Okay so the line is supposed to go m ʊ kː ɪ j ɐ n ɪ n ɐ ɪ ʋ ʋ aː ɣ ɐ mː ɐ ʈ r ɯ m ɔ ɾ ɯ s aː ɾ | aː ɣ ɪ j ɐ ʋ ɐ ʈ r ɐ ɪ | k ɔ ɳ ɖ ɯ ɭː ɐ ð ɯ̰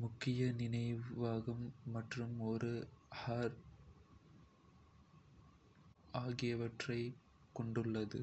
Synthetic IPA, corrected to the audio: m ʊ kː ɪ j ɐ n ɪ n ɐ ɪ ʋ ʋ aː ɣ ɐ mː ɐ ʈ r ɯ m ɔ ɾ ɯ h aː ɾ | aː ɣ ɪ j ɐ ʋ ɐ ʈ r ɐ ɪ | k ɔ ɳ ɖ ɯ ɭː ɐ ð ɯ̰

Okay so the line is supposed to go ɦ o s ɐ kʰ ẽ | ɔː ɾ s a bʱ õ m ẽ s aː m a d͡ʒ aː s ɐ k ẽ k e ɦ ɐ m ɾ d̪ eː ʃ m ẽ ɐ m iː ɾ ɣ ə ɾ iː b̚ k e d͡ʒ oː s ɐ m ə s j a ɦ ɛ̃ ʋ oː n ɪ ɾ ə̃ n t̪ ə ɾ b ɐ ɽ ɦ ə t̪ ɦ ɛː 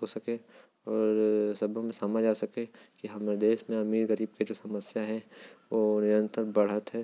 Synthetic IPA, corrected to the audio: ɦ o s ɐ k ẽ | ɔː ɾ s ɐ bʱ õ m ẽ s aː m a d͡ʒ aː s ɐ k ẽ k i ɦ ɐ m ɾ d̪ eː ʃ m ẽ ɐ m iː ɾ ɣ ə ɾ iː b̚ k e d͡ʒ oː s ɐ m ə s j a ɦ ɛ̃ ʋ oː n ɪ ɾ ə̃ n t̪ ə ɾ b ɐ ɽ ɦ ə t̪ ɦ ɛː

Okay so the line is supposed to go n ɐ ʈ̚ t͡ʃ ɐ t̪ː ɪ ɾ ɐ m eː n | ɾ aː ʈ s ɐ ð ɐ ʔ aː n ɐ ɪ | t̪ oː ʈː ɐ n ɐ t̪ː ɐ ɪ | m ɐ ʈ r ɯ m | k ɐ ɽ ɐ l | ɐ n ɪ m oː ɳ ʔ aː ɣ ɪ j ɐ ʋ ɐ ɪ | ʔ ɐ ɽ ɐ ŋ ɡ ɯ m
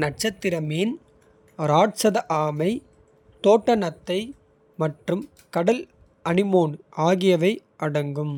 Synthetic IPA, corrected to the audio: n ɐ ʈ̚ t͡ʃ ɐ t̪ː ɪ ɾ ɐ m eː n | ɾ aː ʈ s ɐ ð ɐ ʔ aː m ɐ ɪ | t̪ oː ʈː ɐ n ɐ t̪ː ɐ ɪ | m ɐ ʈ r ɯ m | k ɐ ɽ ɐ l | ɐ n ɪ m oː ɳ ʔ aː ɣ ɪ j ɐ ʋ ɐ ɪ | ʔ ɐ ɽ ɐ ŋ ɡ ɯ m

